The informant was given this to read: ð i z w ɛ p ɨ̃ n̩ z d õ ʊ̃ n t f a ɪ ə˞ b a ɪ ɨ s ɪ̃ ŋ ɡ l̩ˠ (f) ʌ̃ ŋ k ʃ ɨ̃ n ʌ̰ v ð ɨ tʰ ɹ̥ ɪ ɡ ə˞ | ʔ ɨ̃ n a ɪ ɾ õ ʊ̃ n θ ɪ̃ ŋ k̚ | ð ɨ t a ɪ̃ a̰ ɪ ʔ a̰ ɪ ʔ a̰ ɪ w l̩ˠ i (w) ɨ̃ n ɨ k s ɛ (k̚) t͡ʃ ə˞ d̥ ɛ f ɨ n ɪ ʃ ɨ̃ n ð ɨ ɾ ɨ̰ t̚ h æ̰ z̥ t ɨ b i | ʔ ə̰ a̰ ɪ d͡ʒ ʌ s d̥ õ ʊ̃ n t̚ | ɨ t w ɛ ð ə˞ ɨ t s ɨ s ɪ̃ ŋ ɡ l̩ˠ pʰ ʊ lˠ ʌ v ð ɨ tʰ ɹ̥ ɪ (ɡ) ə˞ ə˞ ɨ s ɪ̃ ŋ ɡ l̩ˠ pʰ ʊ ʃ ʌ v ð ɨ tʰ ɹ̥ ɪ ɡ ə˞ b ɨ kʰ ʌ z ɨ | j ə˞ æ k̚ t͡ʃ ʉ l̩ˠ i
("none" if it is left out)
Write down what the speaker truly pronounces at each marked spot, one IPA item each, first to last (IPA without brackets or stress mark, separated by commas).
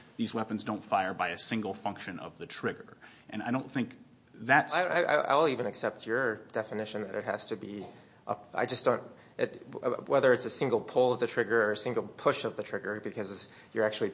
f, v, p̚, ɡ